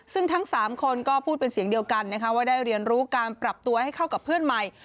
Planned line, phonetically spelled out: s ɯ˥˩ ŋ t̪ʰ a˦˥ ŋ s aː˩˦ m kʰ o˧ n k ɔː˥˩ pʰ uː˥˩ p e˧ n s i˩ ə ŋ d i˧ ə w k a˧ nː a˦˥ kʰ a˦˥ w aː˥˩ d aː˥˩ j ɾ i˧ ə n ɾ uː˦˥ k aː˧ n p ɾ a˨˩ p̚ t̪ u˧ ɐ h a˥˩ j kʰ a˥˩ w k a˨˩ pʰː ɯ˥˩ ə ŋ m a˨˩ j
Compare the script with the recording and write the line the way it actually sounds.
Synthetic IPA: s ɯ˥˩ ŋ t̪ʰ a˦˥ ŋ s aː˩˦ m kʰ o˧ n k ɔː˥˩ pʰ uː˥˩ p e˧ n s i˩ ə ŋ d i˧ ə w k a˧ nː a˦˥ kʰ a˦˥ w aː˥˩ d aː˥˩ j ɾ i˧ ə n ɾ uː˦˥ k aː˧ n p ɾ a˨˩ p̚ t̪ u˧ ɐ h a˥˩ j kʰ a˥˩ w k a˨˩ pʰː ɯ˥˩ ə n m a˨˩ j